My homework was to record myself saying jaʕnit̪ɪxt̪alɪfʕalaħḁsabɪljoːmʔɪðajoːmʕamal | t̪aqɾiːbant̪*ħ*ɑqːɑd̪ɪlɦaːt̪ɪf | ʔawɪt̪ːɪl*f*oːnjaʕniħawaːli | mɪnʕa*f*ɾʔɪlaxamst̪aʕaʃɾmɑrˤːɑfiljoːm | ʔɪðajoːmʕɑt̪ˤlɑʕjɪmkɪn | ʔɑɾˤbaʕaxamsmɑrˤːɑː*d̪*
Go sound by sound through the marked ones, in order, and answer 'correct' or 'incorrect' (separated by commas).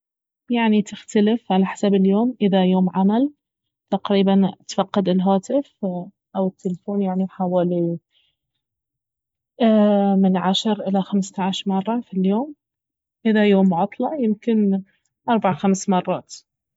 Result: incorrect, correct, incorrect, incorrect